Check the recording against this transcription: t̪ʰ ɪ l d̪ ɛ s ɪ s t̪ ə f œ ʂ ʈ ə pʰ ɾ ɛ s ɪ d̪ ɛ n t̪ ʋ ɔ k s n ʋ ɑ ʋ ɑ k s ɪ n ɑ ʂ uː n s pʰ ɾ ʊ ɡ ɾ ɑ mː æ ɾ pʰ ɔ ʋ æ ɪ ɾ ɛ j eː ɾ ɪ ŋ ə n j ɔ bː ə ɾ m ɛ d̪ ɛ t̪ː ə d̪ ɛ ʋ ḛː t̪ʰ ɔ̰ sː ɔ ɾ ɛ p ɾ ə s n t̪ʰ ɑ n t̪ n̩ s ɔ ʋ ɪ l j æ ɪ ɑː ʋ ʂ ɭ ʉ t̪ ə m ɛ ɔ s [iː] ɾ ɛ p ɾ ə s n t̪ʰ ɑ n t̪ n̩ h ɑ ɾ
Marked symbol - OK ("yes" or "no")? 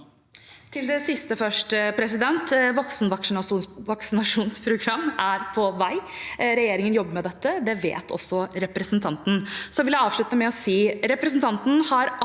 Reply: yes